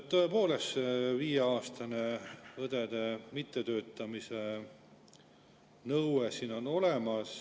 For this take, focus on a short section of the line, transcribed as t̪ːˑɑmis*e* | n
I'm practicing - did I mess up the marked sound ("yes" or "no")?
no